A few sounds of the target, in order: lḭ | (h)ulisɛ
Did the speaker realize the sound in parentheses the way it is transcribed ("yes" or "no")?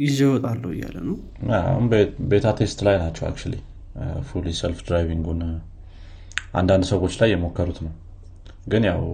no